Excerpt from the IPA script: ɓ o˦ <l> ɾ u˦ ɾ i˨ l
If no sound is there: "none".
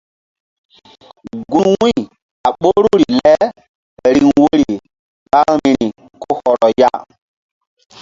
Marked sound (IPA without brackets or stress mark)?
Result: none